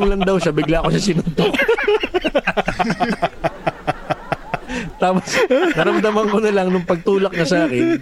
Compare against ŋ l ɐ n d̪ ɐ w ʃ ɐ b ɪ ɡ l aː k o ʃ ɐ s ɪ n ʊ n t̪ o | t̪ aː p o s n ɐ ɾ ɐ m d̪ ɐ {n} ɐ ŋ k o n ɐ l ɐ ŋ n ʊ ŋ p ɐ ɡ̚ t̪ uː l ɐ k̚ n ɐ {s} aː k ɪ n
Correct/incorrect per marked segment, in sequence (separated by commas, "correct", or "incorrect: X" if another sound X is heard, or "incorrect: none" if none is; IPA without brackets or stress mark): incorrect: m, correct